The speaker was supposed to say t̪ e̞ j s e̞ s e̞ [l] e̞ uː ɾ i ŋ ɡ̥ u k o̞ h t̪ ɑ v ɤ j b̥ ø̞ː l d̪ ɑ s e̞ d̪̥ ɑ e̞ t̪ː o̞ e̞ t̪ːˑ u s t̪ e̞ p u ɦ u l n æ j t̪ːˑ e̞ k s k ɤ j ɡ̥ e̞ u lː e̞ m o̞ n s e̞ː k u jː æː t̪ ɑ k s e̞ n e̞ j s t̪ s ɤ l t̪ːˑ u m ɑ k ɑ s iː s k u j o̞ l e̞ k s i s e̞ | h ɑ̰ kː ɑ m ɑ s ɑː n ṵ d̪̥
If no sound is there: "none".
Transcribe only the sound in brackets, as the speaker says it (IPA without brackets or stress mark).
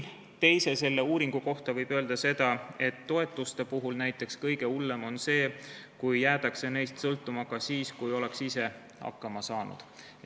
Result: lː